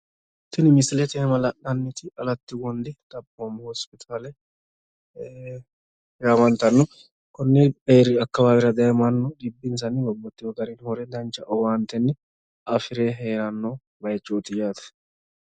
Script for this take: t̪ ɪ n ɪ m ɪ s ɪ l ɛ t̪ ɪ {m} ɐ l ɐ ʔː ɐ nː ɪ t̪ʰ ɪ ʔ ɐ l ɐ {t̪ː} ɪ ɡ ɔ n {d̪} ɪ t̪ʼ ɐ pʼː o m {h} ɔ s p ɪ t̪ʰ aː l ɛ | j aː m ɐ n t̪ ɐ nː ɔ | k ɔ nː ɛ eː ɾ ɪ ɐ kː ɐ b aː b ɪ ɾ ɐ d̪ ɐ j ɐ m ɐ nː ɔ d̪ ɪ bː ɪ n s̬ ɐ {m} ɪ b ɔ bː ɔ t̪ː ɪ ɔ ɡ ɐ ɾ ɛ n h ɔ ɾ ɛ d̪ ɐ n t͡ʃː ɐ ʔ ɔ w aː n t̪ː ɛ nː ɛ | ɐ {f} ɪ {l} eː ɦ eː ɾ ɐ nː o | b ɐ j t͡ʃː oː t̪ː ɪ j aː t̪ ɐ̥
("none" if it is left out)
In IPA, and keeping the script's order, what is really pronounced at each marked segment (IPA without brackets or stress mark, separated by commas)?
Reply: m, t̪ː, d̪, h, n, f, ɾ